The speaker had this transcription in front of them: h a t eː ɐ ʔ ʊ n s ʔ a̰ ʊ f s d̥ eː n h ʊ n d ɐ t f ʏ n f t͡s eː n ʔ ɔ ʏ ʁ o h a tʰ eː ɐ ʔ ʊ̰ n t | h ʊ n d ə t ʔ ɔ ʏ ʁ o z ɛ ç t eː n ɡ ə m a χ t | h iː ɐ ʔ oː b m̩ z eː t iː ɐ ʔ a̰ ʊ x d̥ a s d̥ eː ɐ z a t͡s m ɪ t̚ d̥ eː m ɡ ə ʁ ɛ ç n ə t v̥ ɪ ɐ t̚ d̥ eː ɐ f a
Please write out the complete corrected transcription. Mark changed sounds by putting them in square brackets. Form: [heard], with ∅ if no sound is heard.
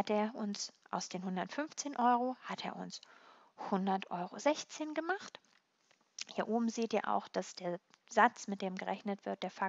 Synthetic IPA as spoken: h a t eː ɐ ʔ ʊ n s ʔ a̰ ʊ [∅] s d̥ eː n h ʊ n d ɐ t f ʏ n f t͡s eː n ʔ ɔ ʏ ʁ o h a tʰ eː ɐ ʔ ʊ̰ n [s] | h ʊ n d [ɐ] t ʔ ɔ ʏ ʁ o z ɛ ç [t͡s] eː n ɡ ə m a χ t | h iː ɐ ʔ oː b m̩ z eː t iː ɐ ʔ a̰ ʊ x d̥ a s d̥ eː ɐ z a t͡s m ɪ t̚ d̥ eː m ɡ ə ʁ ɛ ç n ə t v̥ ɪ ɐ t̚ d̥ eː ɐ f a